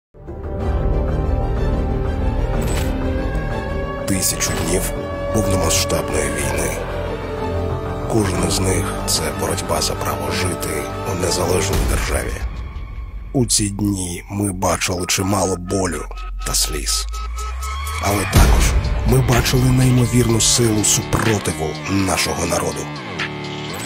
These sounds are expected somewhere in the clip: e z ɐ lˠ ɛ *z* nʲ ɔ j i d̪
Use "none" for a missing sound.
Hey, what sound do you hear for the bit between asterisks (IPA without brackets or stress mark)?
ʒ